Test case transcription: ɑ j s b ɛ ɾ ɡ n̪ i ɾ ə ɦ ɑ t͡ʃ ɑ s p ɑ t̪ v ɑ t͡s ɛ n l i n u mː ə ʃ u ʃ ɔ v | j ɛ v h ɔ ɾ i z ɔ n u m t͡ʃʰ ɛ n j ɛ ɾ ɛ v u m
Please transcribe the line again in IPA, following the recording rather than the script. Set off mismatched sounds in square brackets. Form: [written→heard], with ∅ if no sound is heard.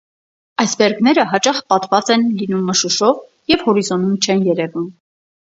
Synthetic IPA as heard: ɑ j s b ɛ ɾ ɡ n̪ [i→ɛ] ɾ ə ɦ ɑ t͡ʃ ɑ [s→χ] p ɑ t̪ v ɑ t͡s ɛ n l i n u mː ə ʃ u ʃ ɔ v | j ɛ v h ɔ ɾ i z ɔ n u m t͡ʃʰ ɛ n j ɛ ɾ ɛ v u m